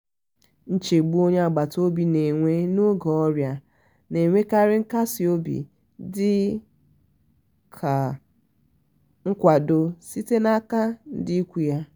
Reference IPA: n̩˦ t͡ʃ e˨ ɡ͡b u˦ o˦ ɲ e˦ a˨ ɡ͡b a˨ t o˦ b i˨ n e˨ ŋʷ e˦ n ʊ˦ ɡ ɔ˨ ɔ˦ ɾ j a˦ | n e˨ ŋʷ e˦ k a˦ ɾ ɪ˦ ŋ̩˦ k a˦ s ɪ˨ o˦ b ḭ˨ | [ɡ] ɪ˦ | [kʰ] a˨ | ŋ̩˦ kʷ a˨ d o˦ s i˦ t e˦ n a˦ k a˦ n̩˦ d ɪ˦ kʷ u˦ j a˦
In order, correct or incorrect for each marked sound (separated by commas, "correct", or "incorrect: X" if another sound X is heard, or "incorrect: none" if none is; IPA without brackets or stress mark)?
incorrect: d, correct